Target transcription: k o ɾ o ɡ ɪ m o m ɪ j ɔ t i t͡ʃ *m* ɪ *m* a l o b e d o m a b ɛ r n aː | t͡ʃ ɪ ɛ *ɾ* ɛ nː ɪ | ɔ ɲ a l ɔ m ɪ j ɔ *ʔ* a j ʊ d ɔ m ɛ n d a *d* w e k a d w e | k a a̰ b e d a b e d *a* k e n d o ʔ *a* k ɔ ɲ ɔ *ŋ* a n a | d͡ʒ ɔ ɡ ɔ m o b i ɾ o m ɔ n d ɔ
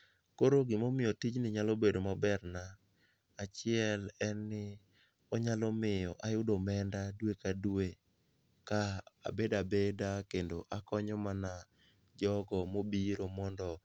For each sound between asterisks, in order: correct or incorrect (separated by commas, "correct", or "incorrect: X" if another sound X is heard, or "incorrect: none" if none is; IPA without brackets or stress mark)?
incorrect: n, incorrect: ɲ, incorrect: l, correct, correct, correct, correct, incorrect: m